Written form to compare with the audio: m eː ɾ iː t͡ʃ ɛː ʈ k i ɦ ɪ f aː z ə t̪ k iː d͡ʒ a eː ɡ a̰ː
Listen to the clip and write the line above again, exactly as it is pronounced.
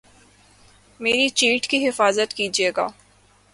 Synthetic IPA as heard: m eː ɾ i t͡ʃ iː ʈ k i ɦ ɪ f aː z ə t̪ k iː d͡ʒ i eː ɡ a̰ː